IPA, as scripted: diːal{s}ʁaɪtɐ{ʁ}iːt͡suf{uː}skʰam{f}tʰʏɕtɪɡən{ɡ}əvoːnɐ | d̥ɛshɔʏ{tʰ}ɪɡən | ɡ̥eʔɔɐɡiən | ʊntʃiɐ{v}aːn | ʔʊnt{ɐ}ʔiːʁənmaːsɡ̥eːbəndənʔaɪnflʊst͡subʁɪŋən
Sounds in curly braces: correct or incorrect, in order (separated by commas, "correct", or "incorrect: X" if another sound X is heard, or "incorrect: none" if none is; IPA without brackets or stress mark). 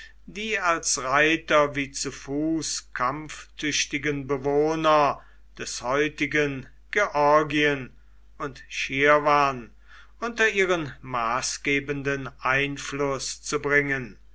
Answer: correct, incorrect: v, correct, correct, incorrect: b, incorrect: t, correct, correct